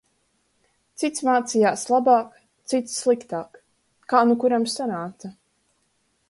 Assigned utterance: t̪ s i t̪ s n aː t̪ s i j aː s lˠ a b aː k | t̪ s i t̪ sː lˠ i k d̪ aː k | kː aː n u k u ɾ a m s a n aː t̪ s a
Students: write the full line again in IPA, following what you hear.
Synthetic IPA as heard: t̪ s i t̪ s m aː t̪ s i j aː s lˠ a b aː k | t̪ s i t̪ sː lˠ i k t̪ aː k | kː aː n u k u ɾ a m s a n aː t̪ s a